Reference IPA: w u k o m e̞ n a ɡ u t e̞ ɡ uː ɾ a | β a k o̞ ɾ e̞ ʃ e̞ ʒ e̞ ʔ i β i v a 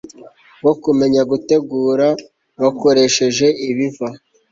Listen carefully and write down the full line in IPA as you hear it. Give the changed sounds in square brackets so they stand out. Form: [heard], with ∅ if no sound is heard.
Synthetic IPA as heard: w [o] k [u] m e̞ [ɲ] a ɡ u t e̞ ɡ uː ɾ a | β a k o̞ ɾ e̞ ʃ e̞ ʒ e̞ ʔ i β i v a